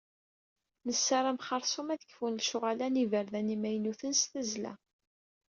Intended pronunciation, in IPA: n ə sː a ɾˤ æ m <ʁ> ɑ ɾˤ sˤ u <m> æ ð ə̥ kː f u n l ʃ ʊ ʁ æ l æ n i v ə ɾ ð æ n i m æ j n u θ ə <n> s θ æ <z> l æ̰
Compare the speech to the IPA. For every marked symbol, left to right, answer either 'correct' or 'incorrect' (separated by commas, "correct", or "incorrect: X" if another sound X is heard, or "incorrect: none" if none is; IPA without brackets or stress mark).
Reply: incorrect: χ, correct, correct, correct